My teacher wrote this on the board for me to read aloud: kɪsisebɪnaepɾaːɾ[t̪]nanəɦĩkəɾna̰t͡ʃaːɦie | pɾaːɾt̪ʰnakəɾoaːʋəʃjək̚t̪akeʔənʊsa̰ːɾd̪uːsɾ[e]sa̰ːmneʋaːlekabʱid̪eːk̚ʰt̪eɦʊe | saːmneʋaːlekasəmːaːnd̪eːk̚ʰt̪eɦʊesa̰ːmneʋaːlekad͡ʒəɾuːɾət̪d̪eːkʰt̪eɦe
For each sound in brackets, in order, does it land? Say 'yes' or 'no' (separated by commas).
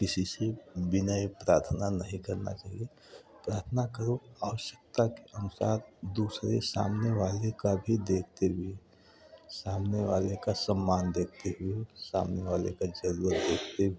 no, yes